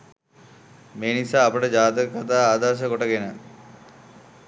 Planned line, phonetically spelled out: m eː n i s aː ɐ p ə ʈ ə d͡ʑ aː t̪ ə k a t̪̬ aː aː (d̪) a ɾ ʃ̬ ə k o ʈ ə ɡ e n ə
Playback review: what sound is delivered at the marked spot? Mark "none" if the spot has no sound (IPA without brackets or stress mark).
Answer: d̪